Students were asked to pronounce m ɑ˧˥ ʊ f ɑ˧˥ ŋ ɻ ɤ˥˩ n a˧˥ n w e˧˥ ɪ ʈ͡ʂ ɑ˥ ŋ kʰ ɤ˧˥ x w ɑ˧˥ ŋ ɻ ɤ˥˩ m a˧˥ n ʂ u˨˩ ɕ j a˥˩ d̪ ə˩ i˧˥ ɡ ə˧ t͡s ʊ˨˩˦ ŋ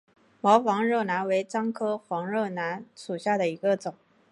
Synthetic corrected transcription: m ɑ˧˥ ʊ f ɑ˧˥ ŋ ɻ ɤ˥˩ n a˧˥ n w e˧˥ ɪ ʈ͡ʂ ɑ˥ ŋ kʰ ɤ˥ x w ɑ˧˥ ŋ ɻ ɤ˥˩ n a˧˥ n ʂ u˨˩ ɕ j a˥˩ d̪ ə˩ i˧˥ ɡ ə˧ t͡s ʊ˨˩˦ ŋ

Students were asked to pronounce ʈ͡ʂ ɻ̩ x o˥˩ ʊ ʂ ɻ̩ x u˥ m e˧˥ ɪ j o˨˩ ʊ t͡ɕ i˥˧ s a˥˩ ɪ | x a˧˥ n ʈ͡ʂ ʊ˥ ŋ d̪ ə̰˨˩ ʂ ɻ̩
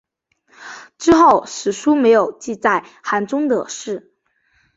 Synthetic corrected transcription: ʈ͡ʂ ɻ̩ x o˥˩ ʊ ʂ ɻ̩ ʂ u˥ m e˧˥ ɪ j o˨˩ ʊ t͡ɕ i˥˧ t͡s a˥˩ ɪ | x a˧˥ n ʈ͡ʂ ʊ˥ ŋ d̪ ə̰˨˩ ʂ ɻ̩

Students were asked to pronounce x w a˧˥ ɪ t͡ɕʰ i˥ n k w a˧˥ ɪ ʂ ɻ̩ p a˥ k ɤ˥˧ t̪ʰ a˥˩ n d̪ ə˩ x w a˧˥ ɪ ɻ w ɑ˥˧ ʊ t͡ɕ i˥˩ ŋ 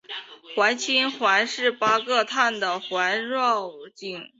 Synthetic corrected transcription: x w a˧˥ ɪ t͡ɕʰ i˥ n x w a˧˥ ɪ ʂ ɻ̩ p a˥ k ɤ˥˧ t̪ʰ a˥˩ n d̪ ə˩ x w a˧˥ ɪ ɻ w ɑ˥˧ ʊ t͡ɕ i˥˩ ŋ

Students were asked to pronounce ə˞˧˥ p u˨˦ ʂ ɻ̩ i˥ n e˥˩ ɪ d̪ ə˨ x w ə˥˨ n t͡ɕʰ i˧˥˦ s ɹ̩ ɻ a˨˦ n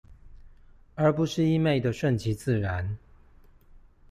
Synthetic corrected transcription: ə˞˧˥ p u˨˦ ʂ ɻ̩ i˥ m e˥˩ ɪ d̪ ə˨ ʂ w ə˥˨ n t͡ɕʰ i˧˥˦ t͡s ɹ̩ ɻ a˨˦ n

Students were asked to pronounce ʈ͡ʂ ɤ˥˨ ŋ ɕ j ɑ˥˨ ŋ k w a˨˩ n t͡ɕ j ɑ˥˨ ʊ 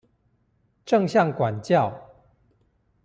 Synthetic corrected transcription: ʈ͡ʂ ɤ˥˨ ŋ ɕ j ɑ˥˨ ŋ k w a˨˩ n t͡ɕ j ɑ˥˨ ʊ

